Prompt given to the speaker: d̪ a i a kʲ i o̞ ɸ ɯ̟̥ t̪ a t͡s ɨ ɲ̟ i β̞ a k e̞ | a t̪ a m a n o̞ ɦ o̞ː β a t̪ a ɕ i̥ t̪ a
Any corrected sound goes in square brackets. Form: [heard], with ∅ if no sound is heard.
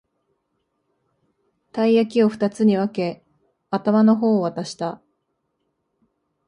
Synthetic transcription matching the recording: [t̪] a i a kʲ i o̞ ɸ ɯ̟̥ t̪ a t͡s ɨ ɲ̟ i β̞ a k e̞ | a t̪ a m a n o̞ ɦ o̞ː β a t̪ a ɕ i̥ t̪ a